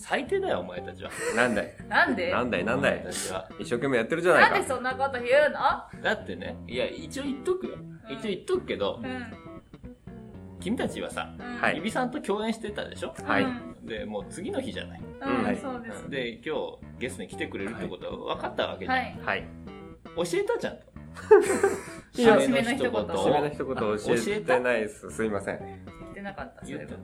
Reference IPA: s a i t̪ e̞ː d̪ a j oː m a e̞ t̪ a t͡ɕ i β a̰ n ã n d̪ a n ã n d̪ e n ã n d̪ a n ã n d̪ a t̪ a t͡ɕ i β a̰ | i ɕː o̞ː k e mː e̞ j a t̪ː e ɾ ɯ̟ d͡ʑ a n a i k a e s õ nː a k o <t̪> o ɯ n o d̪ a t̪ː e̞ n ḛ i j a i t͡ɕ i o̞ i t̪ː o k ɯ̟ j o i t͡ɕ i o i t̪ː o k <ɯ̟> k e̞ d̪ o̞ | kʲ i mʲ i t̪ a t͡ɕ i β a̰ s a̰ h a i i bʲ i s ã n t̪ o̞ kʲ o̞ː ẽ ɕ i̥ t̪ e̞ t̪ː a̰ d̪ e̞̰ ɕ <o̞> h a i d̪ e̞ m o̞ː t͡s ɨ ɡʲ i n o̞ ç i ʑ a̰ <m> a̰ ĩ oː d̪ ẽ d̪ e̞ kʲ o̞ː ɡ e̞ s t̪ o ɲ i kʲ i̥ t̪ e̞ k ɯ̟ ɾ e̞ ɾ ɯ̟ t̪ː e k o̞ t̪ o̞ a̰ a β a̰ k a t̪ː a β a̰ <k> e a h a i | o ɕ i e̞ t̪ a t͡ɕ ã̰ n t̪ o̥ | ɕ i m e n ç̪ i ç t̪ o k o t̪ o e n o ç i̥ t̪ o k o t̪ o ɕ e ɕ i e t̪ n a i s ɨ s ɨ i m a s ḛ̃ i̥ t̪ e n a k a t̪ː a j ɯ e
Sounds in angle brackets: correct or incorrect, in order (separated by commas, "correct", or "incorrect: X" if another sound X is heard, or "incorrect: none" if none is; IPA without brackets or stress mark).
correct, correct, correct, incorrect: n, correct